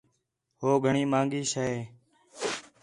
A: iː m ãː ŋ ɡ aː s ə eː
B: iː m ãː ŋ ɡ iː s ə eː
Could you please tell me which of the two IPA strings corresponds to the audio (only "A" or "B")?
B